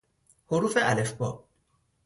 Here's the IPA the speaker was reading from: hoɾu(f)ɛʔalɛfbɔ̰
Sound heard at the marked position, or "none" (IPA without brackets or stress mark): f